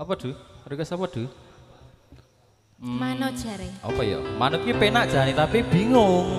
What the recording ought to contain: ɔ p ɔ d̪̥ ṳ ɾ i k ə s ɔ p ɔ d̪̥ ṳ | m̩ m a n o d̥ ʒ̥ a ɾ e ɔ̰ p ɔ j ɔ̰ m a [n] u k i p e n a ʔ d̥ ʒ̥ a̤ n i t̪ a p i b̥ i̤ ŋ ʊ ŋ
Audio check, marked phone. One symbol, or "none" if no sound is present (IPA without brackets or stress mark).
n